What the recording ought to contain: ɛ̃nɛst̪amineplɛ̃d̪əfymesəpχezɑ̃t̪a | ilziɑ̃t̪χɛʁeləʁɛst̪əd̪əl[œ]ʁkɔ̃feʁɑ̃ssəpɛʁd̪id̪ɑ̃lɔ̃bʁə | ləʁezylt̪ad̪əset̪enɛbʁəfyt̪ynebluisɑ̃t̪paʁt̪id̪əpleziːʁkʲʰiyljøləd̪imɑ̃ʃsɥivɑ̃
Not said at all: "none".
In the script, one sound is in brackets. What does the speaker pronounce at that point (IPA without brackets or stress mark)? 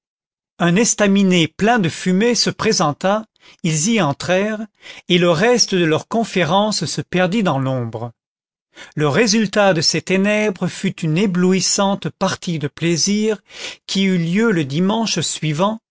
œ